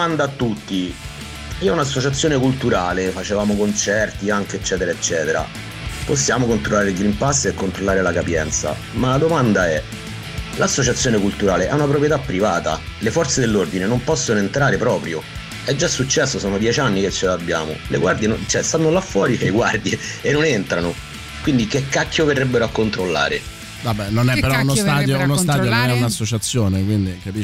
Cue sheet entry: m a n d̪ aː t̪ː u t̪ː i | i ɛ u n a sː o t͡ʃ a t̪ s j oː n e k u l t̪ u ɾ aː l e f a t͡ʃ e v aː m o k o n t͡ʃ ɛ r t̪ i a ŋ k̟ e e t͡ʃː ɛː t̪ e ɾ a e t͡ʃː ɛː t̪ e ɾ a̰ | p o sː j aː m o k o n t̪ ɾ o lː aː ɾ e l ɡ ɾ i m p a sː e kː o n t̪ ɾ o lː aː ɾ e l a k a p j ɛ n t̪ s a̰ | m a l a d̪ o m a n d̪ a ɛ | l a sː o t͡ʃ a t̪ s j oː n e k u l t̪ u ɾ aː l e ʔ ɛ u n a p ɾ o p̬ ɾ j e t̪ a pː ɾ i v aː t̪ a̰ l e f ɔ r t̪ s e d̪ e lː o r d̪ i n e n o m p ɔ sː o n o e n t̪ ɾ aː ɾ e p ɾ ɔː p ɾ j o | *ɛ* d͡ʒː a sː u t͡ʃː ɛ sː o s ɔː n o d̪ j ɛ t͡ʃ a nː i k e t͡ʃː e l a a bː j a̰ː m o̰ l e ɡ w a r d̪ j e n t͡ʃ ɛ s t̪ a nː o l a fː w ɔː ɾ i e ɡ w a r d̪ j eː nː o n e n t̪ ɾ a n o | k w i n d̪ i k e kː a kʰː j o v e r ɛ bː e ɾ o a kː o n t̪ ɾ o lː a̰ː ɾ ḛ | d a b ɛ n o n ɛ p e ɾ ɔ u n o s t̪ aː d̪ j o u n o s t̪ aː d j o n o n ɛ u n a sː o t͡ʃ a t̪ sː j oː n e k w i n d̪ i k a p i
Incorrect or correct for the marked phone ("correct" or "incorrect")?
correct